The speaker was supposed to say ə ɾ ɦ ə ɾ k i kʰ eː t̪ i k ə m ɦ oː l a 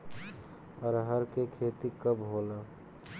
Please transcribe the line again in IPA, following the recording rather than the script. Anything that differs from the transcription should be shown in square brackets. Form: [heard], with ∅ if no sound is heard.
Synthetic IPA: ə ɾ ɦ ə ɾ k [e] kʰ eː t̪ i k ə [b] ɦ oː l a